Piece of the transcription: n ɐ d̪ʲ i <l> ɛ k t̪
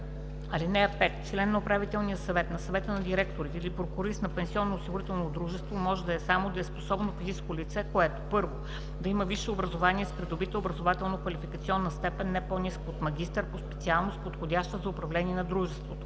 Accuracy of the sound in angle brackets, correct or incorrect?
incorrect